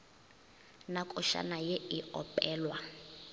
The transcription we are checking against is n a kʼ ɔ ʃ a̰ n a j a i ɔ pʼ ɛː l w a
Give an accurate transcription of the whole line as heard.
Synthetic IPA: n a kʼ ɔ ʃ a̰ n a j e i ɔ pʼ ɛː l w a